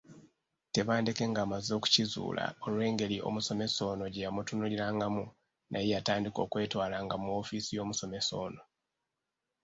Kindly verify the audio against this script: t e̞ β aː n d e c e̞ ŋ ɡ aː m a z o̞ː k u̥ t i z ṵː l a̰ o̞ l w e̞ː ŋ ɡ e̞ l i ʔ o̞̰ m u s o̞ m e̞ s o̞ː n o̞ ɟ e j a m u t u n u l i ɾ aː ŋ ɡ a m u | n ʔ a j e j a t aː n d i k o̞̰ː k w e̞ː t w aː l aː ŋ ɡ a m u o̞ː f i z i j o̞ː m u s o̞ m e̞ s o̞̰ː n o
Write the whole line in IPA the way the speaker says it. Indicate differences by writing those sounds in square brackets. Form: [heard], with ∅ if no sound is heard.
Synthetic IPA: t e̞ β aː n d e [k] e̞ ŋ ɡ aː m a z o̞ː k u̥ [c] i z ṵː l a̰ o̞ l w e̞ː ŋ ɡ e̞ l i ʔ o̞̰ m u s o̞ m e̞ s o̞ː n o̞ ɟ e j a m u t u n u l i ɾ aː ŋ ɡ a m u | n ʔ a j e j a t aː n d i k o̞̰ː k w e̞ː t w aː l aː ŋ ɡ a m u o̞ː f i [s] i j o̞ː m u s o̞ m e̞ s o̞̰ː n o